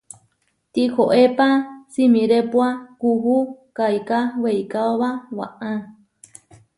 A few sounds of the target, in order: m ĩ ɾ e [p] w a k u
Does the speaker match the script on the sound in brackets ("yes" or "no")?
yes